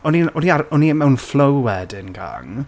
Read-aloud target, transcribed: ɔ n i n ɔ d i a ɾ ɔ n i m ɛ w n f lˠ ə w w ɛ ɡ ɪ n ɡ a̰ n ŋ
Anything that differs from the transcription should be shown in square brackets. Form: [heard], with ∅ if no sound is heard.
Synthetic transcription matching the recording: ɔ n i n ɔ [n] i a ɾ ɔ n i m ɛ w n f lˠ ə w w ɛ [d] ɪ n ɡ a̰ [∅] ŋ